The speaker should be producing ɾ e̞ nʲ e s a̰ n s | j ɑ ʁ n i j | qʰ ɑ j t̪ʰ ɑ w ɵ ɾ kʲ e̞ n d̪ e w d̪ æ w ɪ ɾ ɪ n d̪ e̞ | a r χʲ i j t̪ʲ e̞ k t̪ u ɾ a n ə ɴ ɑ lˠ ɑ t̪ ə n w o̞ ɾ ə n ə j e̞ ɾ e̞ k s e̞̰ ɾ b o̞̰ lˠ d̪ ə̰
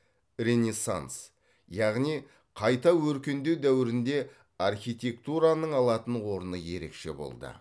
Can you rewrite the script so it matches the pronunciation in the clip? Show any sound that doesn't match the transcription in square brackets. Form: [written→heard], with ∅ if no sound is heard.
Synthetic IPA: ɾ e̞ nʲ e s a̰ n s | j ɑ ʁ n i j | qʰ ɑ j [t̪ʰ→t̪] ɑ w ɵ ɾ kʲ e̞ n d̪ e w d̪ æ w ɪ ɾ ɪ n d̪ e̞ | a r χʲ i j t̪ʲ e̞ k t̪ u ɾ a n ə ɴ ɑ lˠ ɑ t̪ ə n w o̞ ɾ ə n ə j e̞ ɾ e̞ k [s→ʃ] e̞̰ [ɾ→∅] b o̞̰ lˠ d̪ ə̰